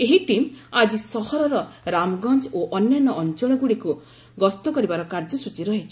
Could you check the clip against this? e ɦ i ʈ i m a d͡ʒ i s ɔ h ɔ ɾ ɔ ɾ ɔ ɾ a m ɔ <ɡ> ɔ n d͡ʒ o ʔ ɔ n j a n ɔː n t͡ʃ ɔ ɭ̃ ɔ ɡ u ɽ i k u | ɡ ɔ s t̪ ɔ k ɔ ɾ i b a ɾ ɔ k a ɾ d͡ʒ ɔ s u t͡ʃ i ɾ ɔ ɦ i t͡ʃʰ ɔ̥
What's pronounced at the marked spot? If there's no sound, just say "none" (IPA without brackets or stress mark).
ɡ